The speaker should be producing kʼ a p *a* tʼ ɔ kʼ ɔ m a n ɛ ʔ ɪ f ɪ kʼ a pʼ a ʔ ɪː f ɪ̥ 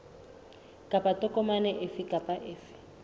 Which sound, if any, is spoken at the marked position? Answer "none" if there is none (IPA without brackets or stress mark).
a